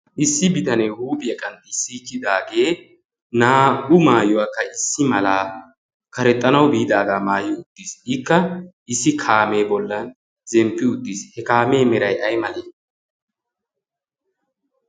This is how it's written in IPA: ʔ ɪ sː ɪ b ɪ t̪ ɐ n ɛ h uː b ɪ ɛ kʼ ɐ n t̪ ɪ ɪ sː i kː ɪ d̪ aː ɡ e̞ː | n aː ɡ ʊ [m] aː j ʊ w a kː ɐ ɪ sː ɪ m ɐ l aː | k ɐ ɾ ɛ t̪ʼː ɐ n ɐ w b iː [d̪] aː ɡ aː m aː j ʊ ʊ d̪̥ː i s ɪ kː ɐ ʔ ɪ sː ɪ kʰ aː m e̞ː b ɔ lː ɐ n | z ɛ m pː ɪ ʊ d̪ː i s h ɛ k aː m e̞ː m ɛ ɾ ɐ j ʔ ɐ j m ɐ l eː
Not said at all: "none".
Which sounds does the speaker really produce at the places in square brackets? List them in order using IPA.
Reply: m, d̪

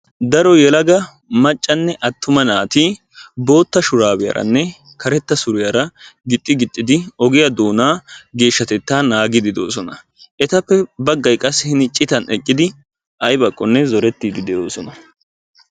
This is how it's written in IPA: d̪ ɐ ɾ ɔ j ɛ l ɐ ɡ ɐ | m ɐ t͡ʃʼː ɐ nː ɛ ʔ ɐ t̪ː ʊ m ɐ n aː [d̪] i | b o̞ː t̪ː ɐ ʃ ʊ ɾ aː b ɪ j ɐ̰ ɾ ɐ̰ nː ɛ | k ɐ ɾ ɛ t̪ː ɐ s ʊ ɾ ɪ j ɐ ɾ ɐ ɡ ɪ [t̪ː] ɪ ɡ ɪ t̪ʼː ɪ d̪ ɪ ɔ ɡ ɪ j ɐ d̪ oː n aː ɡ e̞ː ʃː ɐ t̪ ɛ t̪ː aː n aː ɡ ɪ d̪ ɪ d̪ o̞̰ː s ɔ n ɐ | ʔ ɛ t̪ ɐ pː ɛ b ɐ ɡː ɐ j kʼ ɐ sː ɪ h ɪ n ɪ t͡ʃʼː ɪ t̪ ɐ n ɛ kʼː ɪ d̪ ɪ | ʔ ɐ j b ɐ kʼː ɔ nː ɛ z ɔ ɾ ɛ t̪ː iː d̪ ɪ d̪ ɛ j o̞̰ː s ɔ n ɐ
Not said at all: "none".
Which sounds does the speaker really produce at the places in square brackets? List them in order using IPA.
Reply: t̪, t̪ʼː

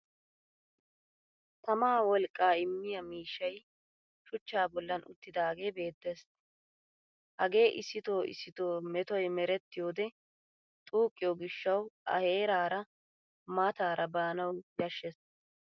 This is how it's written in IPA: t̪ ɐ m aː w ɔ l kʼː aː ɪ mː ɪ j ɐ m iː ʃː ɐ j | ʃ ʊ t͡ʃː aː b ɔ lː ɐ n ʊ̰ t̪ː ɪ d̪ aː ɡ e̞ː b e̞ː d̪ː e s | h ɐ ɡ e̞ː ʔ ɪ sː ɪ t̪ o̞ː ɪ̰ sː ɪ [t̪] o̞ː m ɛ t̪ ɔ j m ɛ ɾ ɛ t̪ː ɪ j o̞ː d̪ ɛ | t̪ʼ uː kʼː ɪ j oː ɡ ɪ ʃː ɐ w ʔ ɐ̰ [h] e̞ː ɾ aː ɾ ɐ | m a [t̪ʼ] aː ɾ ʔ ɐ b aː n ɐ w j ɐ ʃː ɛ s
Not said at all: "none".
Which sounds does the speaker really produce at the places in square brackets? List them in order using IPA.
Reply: t̪, h, t̪

